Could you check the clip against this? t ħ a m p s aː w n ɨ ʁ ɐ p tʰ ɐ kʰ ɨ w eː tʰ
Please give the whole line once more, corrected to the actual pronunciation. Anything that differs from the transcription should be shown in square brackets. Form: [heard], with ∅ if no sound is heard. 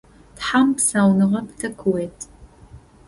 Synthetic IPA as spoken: t ħ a m p s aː w n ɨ ʁ ɐ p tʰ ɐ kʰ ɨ w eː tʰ